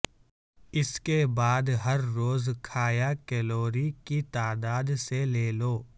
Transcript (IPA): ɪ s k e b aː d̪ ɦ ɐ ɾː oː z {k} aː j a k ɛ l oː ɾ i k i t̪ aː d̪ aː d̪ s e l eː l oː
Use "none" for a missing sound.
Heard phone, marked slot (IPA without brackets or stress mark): kʰ